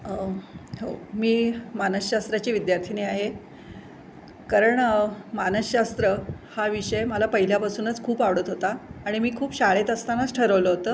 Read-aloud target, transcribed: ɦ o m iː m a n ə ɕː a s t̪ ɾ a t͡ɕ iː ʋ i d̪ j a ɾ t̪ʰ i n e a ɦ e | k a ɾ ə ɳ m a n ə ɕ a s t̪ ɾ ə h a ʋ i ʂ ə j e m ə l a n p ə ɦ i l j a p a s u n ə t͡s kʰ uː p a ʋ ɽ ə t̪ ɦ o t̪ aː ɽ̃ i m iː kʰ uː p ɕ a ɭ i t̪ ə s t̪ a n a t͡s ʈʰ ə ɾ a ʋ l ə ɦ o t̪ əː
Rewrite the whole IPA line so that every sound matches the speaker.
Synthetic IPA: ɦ o m iː m a n ə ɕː a s t̪ ɾ a t͡ɕ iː ʋ i d̪ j a ɾ t̪ʰ i n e a ɦ e | k a ɾ ə ɳ m a n ə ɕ a s t̪ ɾ ə h a ʋ i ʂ ə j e m ə l a p ə ɦ i l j a p a s uː n ə t͡s kʰ uː p a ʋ ɽ ə t̪ ɦ o t̪ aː ɽ̃ i m iː kʰ uː p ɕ a ɭ e t̪ ə s t̪ a n a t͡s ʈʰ ə ɾ ə ʋ l ə ɦ o t̪ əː